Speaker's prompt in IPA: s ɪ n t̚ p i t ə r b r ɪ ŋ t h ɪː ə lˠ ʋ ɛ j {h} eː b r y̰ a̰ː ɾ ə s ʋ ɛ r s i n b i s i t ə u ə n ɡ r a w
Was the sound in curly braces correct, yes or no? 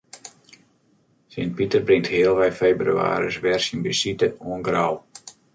no